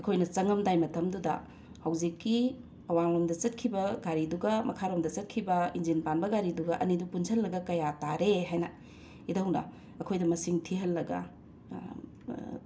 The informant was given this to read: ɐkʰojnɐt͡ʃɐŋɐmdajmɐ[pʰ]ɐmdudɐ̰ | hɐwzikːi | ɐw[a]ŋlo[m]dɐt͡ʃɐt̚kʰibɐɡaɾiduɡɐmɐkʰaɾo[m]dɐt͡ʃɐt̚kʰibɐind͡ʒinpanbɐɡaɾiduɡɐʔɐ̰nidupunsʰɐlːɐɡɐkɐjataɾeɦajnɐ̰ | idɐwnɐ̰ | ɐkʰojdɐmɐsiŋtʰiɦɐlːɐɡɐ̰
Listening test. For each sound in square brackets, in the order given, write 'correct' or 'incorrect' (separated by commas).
incorrect, correct, correct, correct